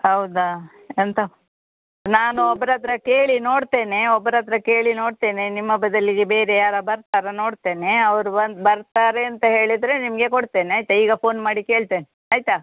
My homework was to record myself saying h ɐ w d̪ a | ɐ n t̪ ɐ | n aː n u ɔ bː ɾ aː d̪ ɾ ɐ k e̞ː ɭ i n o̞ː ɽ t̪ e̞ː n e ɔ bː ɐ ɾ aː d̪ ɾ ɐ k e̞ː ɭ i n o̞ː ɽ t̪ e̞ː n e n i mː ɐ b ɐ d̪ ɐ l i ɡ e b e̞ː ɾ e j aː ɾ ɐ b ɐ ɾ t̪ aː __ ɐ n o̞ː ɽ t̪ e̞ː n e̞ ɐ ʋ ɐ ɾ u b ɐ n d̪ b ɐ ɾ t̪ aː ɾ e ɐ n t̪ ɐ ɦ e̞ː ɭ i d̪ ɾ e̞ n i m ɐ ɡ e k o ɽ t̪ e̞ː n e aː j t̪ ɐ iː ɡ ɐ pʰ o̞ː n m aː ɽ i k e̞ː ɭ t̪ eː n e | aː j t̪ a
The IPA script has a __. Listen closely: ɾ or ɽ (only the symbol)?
ɾ